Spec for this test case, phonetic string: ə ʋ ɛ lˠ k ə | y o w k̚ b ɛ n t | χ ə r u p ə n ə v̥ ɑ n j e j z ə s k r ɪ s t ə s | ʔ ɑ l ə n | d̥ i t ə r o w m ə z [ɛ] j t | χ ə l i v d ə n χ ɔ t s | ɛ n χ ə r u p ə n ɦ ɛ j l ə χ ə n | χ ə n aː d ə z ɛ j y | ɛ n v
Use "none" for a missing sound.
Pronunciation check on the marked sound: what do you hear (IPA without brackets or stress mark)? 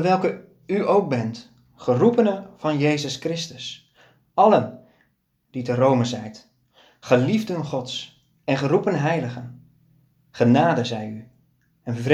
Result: ɛ